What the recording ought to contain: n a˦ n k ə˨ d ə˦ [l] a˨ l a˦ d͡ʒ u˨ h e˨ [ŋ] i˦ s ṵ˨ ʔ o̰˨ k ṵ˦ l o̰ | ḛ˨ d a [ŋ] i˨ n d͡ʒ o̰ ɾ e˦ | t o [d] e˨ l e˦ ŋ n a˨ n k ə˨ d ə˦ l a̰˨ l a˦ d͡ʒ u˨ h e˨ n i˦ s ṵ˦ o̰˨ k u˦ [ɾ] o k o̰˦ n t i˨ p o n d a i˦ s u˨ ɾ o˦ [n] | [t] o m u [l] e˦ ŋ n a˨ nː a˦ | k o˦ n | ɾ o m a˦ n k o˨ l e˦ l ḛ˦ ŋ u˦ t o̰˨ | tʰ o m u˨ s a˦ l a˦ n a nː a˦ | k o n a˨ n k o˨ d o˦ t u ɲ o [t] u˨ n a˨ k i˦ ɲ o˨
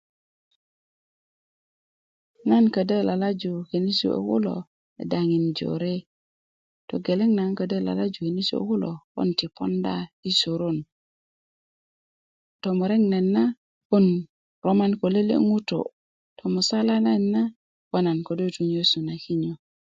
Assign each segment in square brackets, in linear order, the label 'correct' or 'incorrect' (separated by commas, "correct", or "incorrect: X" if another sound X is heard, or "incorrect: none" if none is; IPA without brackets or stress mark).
correct, incorrect: n, correct, incorrect: ɡ, incorrect: l, correct, correct, incorrect: ɾ, incorrect: s